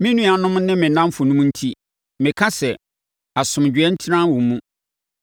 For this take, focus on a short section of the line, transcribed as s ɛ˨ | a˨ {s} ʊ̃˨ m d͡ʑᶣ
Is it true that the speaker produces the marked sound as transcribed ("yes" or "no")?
yes